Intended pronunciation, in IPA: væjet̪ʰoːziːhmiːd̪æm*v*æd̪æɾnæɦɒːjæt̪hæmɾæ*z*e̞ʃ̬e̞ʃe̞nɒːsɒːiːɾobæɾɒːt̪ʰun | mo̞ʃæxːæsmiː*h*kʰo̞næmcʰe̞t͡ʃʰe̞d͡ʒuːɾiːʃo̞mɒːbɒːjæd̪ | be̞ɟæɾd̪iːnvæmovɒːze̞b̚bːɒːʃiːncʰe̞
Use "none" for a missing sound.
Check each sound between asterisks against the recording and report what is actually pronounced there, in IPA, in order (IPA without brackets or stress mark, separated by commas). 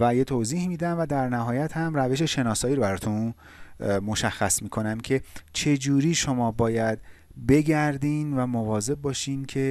v, v, none